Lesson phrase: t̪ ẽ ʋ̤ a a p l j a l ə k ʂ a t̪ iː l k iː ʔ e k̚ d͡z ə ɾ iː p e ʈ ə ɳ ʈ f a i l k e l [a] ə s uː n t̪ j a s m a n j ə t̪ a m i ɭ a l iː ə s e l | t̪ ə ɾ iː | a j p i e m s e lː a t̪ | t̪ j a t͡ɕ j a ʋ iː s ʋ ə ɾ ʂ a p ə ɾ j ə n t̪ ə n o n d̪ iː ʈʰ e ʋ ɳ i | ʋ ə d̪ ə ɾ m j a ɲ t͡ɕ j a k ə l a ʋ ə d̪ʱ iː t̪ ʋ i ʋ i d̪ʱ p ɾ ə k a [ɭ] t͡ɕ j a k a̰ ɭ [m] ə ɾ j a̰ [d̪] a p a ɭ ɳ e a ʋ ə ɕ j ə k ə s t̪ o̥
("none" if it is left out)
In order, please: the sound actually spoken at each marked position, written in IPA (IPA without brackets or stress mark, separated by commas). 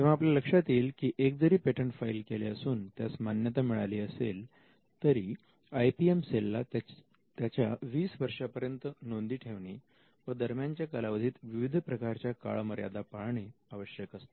e, ɾ, m, d̪